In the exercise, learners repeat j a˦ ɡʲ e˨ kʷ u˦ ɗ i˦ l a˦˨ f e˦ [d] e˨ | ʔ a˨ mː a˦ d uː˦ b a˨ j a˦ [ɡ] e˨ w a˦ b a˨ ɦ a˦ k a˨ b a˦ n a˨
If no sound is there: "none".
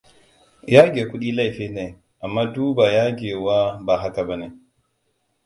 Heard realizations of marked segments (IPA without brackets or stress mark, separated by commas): n, ɡ